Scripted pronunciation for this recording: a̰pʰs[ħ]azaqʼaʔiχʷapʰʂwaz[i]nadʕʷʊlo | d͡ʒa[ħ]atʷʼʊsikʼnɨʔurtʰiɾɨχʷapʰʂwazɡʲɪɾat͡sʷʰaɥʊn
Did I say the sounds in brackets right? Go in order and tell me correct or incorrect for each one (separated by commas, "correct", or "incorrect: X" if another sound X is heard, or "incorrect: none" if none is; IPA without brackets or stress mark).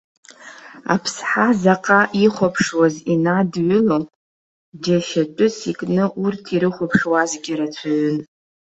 correct, correct, incorrect: ʃ